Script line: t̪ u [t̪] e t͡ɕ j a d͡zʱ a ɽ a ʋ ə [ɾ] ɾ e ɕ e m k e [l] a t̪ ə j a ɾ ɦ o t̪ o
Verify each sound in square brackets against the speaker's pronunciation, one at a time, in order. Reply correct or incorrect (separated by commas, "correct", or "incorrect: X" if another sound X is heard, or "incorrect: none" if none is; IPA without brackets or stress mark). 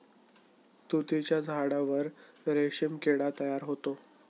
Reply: correct, correct, incorrect: ɽ